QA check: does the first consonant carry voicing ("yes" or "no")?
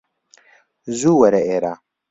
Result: yes